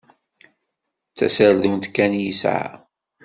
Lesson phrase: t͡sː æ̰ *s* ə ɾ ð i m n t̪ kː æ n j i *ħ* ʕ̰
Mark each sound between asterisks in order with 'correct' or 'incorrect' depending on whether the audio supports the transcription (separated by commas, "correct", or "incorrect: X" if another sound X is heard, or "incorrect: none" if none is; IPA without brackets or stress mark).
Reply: correct, incorrect: s